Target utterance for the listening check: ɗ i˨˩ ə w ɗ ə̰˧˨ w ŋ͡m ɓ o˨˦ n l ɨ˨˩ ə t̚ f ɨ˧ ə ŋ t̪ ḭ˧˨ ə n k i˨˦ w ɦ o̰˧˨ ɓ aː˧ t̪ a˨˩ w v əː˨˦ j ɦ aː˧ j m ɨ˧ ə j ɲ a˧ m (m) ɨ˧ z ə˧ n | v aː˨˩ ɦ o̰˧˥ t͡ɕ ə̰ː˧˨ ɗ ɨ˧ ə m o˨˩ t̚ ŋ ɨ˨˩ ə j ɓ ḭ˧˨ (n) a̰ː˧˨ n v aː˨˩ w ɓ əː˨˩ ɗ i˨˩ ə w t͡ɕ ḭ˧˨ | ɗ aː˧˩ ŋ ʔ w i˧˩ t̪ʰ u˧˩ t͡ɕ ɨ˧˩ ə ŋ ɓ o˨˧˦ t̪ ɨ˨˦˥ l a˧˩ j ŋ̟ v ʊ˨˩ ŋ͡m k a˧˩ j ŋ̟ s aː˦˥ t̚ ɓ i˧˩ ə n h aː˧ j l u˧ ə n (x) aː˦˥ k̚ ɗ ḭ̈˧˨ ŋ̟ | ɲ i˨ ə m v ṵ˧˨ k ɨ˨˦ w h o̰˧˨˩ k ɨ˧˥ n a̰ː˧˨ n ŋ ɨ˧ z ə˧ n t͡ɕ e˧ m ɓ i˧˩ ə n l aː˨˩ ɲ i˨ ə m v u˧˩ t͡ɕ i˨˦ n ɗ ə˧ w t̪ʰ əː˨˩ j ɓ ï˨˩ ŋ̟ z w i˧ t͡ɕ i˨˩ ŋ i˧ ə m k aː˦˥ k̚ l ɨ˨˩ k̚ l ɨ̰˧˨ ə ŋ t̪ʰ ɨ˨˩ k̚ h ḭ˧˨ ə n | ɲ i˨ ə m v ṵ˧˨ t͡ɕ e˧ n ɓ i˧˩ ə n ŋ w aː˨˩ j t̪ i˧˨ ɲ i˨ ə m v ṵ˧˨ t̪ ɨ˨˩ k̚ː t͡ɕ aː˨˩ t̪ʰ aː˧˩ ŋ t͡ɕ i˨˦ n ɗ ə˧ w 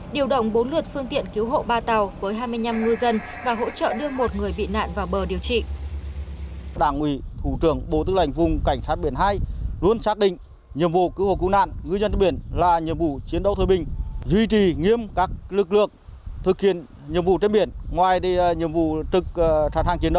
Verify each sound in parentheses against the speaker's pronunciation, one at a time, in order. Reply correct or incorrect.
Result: incorrect: ŋ, correct, incorrect: s

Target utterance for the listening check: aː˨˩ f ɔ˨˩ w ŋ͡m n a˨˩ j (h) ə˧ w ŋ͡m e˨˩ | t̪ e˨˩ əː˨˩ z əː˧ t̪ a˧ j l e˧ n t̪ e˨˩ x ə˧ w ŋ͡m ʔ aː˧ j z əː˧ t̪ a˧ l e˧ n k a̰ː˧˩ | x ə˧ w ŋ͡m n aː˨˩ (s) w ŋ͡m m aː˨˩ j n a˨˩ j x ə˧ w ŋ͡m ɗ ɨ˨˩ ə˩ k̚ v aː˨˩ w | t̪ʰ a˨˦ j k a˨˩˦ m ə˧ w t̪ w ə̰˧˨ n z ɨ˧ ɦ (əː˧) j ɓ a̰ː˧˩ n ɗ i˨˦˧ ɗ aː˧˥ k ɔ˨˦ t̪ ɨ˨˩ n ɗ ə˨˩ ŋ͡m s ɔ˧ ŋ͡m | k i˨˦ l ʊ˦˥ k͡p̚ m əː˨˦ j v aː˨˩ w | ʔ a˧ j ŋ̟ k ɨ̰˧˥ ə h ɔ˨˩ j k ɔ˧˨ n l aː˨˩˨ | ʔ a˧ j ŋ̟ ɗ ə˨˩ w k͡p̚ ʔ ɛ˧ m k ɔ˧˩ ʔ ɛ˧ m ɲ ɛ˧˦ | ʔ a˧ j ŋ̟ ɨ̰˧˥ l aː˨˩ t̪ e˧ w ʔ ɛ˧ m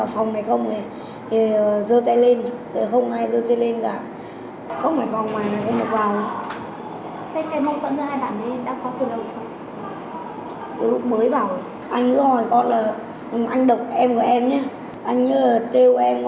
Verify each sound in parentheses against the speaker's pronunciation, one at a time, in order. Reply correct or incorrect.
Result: incorrect: x, incorrect: f, incorrect: aː˧

